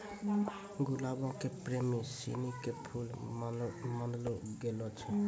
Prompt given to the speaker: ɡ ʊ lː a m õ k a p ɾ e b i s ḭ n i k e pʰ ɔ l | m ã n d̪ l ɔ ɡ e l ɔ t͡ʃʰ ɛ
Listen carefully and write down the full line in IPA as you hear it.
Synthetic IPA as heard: ɡ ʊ l a b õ k e p ɾ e m i s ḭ n i k e pʰ u l | m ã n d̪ l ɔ ɡ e l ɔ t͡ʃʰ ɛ